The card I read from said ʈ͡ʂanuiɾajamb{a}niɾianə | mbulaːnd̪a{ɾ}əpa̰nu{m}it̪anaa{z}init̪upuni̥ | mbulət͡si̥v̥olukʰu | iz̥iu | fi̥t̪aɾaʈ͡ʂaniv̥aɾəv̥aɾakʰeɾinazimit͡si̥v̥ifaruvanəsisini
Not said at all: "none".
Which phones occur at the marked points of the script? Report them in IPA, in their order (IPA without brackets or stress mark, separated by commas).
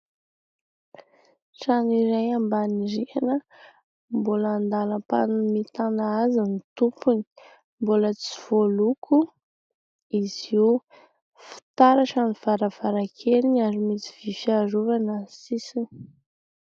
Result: a, l, m, z